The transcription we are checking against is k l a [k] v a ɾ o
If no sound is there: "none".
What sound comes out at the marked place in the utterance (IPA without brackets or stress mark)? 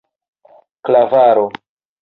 none